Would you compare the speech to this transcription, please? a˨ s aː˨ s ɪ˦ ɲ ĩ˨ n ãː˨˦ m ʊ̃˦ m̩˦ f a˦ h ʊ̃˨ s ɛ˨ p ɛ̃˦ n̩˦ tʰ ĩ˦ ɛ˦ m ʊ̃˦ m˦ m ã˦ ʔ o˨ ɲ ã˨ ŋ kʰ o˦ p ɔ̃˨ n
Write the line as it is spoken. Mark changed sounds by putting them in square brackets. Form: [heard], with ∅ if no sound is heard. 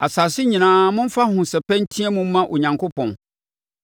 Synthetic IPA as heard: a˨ s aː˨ s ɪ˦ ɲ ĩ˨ n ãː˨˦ m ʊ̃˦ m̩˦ f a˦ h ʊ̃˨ s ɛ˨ p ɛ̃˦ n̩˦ tʰ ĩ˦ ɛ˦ m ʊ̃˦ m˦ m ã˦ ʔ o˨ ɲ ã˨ ŋ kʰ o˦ p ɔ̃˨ n